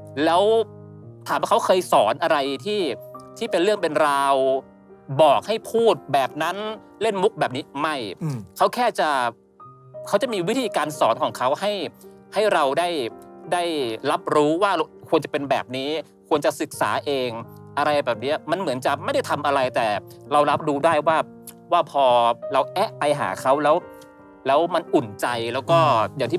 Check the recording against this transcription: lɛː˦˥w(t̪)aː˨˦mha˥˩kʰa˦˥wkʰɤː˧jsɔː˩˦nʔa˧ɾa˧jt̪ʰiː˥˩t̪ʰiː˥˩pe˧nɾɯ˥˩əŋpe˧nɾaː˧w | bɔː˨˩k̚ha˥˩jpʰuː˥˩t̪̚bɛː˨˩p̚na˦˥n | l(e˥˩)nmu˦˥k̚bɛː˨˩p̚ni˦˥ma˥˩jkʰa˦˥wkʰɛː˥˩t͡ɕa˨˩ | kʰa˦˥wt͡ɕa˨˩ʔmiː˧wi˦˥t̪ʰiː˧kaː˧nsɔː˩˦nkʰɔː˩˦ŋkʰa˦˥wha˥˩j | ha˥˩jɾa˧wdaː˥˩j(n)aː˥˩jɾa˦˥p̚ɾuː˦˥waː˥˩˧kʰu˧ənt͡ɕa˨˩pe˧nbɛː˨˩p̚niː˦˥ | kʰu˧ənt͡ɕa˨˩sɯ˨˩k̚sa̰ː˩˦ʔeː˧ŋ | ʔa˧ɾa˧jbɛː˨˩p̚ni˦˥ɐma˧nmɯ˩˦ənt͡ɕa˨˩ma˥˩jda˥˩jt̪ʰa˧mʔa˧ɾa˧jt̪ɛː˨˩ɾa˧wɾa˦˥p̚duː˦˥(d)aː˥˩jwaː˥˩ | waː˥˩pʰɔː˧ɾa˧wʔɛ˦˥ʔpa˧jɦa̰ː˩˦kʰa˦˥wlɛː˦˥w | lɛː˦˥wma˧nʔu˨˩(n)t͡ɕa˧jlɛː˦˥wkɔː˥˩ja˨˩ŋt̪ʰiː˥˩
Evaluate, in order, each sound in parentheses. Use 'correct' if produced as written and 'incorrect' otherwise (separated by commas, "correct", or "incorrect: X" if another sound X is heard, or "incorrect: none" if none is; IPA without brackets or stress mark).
incorrect: t̪ʰ, correct, incorrect: d, correct, correct